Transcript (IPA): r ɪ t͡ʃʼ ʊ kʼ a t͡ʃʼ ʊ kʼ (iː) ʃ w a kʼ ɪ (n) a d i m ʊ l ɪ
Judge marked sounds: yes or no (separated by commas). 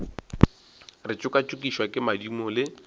no, no